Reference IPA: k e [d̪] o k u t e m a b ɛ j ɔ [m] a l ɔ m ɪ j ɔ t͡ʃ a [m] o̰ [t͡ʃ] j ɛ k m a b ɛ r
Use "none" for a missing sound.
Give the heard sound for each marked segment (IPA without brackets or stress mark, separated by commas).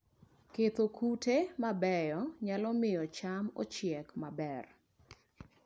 t̪, ɲ, m, t͡ʃ